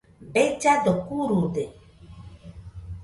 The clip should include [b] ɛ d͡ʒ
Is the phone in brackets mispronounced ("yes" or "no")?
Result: no